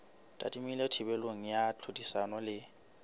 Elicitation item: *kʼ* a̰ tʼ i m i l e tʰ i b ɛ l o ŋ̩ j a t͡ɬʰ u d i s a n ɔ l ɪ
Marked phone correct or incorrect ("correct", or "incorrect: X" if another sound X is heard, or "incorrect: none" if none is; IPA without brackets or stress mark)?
incorrect: tʼ